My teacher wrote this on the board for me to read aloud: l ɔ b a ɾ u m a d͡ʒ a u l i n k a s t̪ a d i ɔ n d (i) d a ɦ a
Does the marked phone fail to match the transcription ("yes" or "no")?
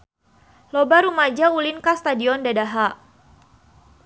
yes